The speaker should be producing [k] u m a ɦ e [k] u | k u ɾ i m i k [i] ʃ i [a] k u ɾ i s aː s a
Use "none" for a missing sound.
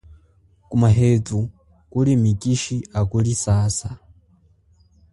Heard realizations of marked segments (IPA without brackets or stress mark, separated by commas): k, t, i, a